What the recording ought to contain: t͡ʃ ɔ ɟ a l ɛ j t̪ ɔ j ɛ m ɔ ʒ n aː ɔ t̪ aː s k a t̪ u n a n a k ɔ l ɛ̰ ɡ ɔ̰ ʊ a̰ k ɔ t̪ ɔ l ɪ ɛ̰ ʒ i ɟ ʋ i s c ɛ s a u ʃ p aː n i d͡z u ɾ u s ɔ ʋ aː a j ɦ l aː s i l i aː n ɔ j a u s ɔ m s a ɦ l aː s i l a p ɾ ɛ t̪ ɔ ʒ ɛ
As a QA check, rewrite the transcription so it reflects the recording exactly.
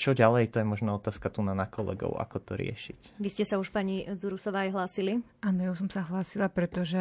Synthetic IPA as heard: t͡ʃ ɔ ɟ a l ɛ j t̪ ɔ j ɛ m ɔ ʒ n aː ɔ t̪ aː s k a t̪ u n a n a k ɔ l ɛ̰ ɡ ɔ̰ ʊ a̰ k ɔ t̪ ɔ ɾ ɪ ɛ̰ ʃ i c ʋ i s c ɛ s a u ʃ p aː ɲ i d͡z u ɾ u s ɔ ʋ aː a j ɦ l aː s i l i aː n ɔ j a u s ɔ m s a ɦ l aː s i l a p ɾ ɛ t̪ ɔ ʒ ɛ